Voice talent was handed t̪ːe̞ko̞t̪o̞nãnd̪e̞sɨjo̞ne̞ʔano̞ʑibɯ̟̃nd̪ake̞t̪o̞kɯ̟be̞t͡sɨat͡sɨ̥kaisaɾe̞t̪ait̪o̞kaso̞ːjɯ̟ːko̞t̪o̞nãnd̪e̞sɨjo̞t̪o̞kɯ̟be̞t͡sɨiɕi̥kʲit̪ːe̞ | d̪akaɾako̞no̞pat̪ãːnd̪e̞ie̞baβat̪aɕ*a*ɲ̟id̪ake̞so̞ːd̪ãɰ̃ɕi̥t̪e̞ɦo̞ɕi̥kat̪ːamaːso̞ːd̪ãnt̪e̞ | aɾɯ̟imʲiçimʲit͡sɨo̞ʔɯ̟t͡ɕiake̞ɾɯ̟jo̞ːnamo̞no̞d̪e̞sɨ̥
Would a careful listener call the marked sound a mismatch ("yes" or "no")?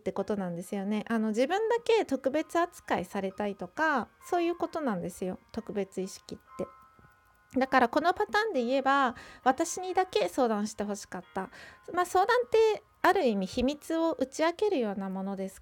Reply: yes